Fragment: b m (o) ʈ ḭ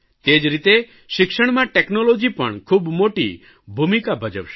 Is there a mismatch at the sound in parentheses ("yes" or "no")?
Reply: no